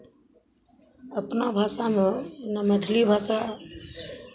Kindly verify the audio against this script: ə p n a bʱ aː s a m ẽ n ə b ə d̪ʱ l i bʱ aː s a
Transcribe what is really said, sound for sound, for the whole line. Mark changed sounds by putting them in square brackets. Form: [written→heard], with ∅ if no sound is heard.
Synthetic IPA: ə p n a bʱ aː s a m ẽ n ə [b→m] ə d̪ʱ l i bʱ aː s a

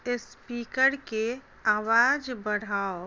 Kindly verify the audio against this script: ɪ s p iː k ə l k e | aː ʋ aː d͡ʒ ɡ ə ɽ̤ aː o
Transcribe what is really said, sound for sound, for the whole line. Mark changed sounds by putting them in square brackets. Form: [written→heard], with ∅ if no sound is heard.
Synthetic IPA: ɪ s p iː k ə [l→ɾ] k e | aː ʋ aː d͡ʒ [ɡ→b] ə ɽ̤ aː o

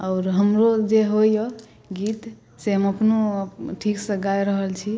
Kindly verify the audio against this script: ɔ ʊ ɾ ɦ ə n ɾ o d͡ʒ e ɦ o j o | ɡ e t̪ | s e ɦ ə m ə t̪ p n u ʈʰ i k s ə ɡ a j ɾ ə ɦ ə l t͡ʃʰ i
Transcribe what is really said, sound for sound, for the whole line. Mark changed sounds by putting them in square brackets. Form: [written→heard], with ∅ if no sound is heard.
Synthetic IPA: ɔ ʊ ɾ ɦ ə [n→m] ɾ o d͡ʒ e ɦ o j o | ɡ [e→i] t̪ | s e ɦ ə m ə [t̪→∅] p n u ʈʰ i k s ə ɡ a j ɾ ə ɦ ə l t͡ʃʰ i

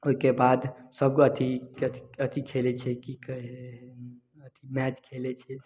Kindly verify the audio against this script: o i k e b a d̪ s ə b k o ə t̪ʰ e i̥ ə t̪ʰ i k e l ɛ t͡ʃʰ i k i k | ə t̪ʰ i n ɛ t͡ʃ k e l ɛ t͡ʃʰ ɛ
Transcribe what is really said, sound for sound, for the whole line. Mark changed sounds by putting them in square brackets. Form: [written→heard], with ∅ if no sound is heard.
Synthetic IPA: o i k e b a d̪ s ə b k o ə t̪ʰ [e→i] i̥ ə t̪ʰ i [k→kʰ] e l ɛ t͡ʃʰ [i→ɛ] k i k | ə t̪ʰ i [n→m] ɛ t͡ʃ [k→kʰ] e l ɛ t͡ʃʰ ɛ

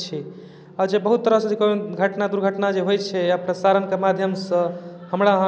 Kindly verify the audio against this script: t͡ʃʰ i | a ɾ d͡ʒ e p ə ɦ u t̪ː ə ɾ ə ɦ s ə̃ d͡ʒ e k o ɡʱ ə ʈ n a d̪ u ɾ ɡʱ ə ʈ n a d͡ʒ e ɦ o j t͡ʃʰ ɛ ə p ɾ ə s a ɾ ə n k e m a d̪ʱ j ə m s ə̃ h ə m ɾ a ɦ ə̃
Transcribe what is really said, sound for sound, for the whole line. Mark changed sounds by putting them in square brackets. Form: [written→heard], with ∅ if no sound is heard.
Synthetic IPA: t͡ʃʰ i | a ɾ d͡ʒ e [p→b] ə ɦ u t̪ː ə ɾ ə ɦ s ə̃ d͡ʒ e k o ɡʱ ə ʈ n a d̪ u ɾ ɡʱ ə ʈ n a d͡ʒ e ɦ o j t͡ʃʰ ɛ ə p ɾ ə s a ɾ ə n k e m a d̪ʱ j ə m s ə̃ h ə m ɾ a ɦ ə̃

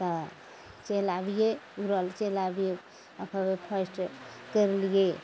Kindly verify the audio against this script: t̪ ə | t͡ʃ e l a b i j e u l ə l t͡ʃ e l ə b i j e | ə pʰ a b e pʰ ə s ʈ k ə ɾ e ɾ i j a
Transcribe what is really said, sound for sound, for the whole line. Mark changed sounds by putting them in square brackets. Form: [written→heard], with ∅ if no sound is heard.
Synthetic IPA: t̪ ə | t͡ʃ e l a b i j e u [l→ɾ] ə l t͡ʃ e l [ə→a] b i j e | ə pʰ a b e pʰ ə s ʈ k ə ɾ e [ɾ→l] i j [a→e]

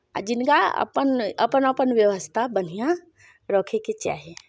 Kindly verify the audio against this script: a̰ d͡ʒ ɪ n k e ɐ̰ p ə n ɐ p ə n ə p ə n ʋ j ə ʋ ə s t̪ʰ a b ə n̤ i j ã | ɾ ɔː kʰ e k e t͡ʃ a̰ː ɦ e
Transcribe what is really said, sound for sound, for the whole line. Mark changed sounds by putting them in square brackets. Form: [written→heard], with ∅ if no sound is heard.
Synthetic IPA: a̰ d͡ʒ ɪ n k [e→a] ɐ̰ p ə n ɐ p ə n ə p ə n ʋ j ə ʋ ə s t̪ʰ a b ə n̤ i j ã | ɾ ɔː kʰ e k e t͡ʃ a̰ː ɦ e

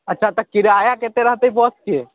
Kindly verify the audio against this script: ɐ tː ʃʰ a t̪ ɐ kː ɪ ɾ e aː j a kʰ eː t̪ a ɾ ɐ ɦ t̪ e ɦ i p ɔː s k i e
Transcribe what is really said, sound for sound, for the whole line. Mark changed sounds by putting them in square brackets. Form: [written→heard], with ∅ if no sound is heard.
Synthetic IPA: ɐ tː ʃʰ a t̪ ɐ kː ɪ ɾ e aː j a [kʰ→k] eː t̪ [a→e] ɾ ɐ ɦ t̪ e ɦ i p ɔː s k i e

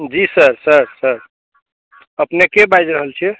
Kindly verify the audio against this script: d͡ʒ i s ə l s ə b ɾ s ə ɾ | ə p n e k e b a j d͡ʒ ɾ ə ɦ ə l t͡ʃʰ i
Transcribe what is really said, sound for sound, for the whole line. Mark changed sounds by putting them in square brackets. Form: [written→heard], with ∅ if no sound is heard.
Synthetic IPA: d͡ʒ i s ə [l→ɾ] s ə [b→∅] ɾ s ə ɾ | ə p n e k e b a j d͡ʒ ɾ ə ɦ ə l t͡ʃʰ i

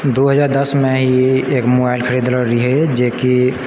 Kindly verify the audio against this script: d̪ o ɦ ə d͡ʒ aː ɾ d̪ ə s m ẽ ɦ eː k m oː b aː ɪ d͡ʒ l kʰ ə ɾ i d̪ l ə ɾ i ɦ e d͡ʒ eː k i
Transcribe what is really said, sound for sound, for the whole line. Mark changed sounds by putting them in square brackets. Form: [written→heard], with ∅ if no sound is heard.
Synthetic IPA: d̪ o ɦ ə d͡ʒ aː ɾ d̪ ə s m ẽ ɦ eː k m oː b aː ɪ [d͡ʒ→∅] l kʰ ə ɾ i d̪ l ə ɾ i ɦ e d͡ʒ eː k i

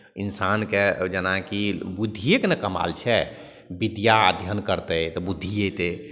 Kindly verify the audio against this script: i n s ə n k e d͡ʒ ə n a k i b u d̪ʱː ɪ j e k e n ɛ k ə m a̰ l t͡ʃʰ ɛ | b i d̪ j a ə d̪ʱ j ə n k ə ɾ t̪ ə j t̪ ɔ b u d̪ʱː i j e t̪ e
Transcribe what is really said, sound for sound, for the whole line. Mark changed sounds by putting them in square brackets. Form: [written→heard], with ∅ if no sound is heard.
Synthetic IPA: i n s [ə→a] n k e d͡ʒ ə n a k i b u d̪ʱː [ɪ→i] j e k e n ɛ k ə m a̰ l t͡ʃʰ ɛ | b i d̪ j a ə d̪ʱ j ə n k ə ɾ t̪ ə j t̪ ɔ b u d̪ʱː i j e t̪ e

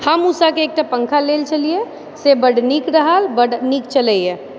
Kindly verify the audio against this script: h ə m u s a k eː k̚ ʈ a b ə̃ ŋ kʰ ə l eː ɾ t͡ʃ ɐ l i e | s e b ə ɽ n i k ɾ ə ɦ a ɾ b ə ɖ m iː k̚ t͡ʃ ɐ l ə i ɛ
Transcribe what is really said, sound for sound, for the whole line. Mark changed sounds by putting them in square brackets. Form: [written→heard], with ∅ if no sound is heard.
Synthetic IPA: h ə m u s a k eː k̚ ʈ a [b→p] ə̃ ŋ kʰ [ə→a] l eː [ɾ→l] t͡ʃ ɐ l i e | s e b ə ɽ n i k ɾ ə ɦ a [ɾ→l] b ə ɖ [m→n] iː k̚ t͡ʃ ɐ l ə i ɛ

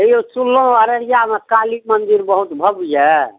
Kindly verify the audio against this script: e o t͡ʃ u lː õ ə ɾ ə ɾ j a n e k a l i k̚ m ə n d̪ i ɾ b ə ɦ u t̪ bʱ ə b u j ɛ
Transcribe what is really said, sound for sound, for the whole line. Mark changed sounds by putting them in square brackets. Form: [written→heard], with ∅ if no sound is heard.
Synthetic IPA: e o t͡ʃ u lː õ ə ɾ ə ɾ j a [n→m] e k a l i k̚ m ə n d̪ i ɾ b ə ɦ u t̪ bʱ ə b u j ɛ

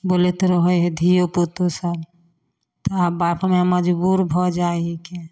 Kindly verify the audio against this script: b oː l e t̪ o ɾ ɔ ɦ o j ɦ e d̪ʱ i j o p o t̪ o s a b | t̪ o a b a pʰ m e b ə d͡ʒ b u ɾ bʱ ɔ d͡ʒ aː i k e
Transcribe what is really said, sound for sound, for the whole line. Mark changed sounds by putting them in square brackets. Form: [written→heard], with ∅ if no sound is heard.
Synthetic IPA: b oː l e t̪ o ɾ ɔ ɦ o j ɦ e d̪ʱ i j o p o t̪ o s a b | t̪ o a b a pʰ m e [b→m] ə d͡ʒ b u ɾ bʱ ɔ d͡ʒ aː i k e

